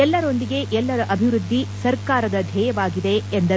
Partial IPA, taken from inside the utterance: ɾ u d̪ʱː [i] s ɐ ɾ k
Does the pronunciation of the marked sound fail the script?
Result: no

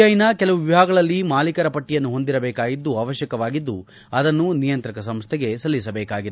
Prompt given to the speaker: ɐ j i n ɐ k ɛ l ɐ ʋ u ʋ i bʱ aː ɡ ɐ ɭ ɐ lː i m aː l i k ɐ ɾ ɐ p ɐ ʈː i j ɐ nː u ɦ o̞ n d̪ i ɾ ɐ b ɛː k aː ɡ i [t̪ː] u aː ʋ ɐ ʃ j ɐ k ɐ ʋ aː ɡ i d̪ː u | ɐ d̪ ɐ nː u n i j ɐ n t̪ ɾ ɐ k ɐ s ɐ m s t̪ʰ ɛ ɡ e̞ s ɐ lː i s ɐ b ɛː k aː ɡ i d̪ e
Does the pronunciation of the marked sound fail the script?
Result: yes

